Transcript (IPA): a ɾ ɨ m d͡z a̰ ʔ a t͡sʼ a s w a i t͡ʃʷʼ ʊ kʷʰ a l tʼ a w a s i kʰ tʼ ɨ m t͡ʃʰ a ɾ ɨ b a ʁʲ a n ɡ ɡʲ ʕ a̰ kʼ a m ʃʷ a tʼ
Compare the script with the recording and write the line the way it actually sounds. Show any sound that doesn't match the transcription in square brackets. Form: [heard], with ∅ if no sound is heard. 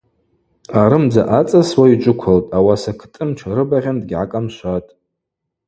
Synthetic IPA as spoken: a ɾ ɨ m d͡z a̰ ʔ a t͡sʼ a s w a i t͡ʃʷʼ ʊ kʷʰ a l tʼ a w a s [a] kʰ tʼ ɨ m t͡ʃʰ a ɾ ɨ b a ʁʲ a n [d] ɡʲ ʕ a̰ kʼ a m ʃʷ a tʼ